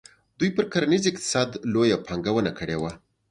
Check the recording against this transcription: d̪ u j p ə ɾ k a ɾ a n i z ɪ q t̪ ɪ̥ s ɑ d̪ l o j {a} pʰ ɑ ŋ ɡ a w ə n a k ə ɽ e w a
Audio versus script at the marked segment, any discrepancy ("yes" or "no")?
no